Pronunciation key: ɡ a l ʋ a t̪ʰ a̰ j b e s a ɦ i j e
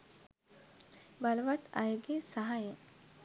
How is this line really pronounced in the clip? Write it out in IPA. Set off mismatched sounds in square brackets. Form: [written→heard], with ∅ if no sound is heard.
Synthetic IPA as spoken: [ɡ→b] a l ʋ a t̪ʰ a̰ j [b→ɡ] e s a ɦ [i→a] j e